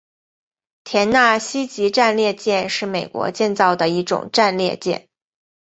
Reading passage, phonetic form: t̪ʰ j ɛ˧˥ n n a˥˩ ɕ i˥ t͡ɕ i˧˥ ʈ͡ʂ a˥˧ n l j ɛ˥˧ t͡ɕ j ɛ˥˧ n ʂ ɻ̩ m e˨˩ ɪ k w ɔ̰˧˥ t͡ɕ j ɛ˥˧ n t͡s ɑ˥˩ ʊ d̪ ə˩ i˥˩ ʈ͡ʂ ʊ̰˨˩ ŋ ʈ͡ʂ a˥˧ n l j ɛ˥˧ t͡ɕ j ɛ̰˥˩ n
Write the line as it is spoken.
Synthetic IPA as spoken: t̪ʰ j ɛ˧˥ n n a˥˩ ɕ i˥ t͡ɕ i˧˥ ʈ͡ʂ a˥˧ n l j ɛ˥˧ t͡ɕ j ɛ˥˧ n ʂ ɻ̩ m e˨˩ ɪ k w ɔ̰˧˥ t͡ɕ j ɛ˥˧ n t͡s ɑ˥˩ ʊ d̪ ə˩ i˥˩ ʈ͡ʂ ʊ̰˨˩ ŋ ʈ͡ʂ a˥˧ n l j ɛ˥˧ t͡ɕ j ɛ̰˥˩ n